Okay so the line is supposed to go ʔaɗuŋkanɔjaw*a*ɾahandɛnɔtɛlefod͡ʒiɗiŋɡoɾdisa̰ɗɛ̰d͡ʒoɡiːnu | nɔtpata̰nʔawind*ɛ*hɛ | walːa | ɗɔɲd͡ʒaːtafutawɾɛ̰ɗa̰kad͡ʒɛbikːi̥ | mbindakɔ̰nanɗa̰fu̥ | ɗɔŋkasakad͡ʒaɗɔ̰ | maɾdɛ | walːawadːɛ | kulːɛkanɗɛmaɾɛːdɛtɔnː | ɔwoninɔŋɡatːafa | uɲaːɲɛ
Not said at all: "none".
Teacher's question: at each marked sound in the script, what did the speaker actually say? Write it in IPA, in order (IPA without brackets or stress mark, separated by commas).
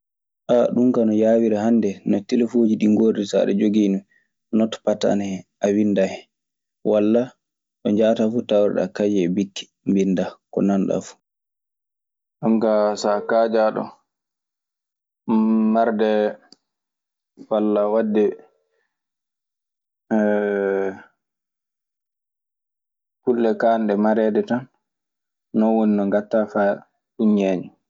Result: i, a